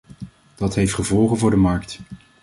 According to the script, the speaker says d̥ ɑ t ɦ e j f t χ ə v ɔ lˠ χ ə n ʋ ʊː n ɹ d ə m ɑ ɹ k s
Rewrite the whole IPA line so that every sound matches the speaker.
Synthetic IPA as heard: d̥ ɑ t ɦ e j f t χ ə v ɔ lˠ χ ə n v ʊː ɹ d ə m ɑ ɹ k t